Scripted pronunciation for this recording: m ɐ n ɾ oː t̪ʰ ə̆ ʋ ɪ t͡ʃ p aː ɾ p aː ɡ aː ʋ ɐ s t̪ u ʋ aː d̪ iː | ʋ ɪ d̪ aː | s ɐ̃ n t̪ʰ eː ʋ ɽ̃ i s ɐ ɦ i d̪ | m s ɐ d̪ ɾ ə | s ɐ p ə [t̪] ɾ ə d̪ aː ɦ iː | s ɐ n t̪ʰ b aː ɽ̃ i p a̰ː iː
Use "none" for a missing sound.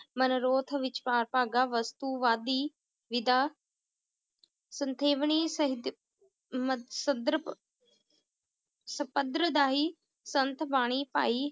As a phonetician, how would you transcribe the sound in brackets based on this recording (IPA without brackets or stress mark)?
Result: d̪